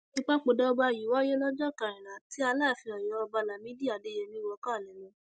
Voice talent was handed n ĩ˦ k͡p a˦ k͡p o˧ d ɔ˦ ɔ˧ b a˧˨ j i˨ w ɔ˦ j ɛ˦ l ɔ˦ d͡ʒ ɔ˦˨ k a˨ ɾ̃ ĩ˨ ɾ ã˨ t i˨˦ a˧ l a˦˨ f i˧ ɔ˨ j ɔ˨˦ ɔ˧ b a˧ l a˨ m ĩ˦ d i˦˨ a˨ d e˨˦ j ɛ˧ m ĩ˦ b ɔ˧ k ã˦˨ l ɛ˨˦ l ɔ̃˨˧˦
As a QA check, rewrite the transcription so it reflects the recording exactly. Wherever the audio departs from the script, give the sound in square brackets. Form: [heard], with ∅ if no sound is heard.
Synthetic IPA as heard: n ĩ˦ k͡p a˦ k͡p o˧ d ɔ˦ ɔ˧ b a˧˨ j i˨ w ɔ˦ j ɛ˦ l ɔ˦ d͡ʒ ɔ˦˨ k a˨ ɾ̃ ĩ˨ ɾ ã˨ t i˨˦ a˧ l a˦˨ f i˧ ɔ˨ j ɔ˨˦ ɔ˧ b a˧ l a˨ m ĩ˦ d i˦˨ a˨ d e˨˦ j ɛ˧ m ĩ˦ [w] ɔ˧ k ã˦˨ l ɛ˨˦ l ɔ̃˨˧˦